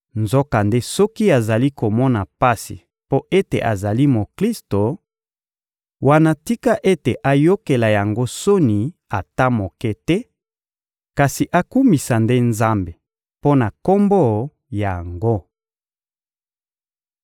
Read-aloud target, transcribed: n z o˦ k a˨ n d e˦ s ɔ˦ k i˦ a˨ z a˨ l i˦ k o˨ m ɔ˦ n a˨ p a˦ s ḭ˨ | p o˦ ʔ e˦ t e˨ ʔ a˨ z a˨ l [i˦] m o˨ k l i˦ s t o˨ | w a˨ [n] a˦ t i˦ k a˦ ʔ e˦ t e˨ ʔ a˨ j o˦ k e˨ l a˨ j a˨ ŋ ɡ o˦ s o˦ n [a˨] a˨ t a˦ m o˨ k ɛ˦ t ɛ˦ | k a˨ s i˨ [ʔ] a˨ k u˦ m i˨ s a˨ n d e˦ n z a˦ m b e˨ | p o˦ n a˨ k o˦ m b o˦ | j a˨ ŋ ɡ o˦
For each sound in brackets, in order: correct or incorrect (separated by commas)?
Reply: correct, correct, incorrect, correct